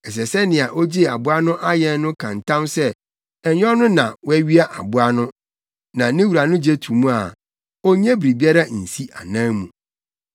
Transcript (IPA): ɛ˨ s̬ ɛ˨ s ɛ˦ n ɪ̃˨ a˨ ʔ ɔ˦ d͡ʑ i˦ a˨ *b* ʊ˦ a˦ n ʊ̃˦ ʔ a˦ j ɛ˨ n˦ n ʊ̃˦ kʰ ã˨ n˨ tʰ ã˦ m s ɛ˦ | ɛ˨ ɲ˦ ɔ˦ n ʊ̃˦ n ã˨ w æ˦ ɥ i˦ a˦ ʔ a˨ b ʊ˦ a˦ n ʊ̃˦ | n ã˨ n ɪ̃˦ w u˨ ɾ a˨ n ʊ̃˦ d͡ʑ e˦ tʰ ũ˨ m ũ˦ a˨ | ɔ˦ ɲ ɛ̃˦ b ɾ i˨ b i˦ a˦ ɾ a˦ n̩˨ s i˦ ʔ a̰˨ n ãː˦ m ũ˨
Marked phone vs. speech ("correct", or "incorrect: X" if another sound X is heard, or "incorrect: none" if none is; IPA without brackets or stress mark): correct